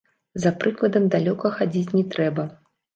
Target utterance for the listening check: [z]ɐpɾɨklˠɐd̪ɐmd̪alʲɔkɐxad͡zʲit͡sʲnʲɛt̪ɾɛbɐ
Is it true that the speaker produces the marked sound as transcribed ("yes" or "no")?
yes